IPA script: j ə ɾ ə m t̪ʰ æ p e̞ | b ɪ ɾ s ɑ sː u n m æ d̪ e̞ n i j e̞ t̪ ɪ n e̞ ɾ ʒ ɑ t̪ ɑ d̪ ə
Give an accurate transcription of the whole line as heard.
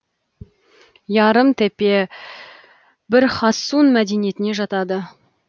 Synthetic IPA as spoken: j ɑ ɾ ə m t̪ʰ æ p e̞ | b ɪ ɾ χ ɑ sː u n m æ d̪ e̞ n i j e̞ t̪ ɪ n e̞ ʒ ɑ t̪ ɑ d̪ ə